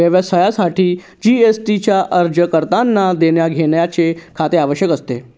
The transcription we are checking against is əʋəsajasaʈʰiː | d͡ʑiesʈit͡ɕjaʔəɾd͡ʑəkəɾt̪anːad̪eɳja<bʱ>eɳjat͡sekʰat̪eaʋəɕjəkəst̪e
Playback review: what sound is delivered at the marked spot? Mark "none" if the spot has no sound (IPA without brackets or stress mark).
ɡʱ